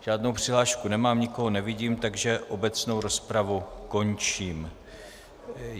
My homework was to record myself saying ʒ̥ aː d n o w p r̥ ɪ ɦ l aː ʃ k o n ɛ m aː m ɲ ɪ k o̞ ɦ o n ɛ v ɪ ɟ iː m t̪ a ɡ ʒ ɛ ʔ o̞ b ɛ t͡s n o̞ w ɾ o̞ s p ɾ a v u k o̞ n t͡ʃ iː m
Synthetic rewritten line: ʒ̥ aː d n o w p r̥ ɪ ɦ l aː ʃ k u n ɛ m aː m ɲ ɪ k o̞ ɦ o n ɛ v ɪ ɟ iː m t̪ a ɡ ʒ ɛ ʔ o̞ b ɛ t͡s n o̞ w ɾ o̞ s p ɾ a v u k o̞ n t͡ʃ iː m